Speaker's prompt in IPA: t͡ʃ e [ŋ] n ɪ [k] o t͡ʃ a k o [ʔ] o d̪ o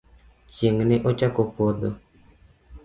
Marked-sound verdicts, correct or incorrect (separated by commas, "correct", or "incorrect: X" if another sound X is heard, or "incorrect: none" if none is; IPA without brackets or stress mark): correct, incorrect: ʔ, incorrect: p